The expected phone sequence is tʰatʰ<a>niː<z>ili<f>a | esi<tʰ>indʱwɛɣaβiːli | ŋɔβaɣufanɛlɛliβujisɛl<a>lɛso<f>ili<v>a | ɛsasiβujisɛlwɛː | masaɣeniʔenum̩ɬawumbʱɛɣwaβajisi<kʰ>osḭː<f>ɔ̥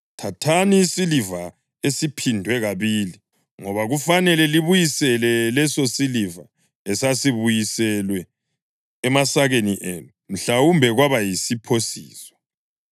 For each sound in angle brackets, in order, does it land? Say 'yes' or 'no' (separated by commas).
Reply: yes, no, no, no, no, no, yes, no, no